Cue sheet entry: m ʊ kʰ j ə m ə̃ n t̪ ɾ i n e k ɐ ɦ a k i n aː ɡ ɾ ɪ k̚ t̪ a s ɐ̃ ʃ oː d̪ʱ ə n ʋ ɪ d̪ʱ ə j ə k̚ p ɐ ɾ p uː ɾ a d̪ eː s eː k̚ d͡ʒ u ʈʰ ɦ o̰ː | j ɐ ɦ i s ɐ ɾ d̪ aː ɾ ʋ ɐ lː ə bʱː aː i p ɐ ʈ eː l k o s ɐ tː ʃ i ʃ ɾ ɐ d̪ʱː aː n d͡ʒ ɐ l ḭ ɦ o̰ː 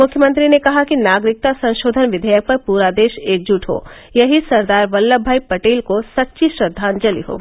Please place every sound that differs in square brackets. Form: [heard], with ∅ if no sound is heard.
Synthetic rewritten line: m ʊ kʰ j ə m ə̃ n t̪ ɾ i n e k ɐ ɦ a k i n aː ɡ ɾ ɪ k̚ t̪ a s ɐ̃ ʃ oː d̪ʱ ə n ʋ ɪ d̪ʱ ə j ə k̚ p ɐ ɾ p uː ɾ a d̪ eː [ʃ] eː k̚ d͡ʒ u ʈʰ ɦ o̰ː | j ɐ ɦ i s ɐ ɾ d̪ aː ɾ ʋ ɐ lː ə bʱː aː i p ɐ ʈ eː l k o s ɐ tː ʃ i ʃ ɾ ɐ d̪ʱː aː n d͡ʒ ɐ l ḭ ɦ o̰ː